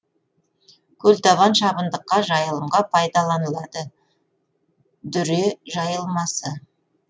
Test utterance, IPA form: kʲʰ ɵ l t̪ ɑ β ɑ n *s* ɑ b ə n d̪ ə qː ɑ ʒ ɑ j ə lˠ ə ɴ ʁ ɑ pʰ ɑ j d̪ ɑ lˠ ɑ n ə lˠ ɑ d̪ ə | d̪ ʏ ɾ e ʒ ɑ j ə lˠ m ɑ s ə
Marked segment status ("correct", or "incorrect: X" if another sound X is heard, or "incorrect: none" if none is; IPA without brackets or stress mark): incorrect: ʃ